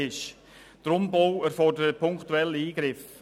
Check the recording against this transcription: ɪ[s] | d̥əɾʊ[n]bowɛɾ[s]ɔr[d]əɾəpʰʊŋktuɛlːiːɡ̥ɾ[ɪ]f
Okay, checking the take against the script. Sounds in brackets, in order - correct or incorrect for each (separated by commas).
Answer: incorrect, incorrect, incorrect, correct, correct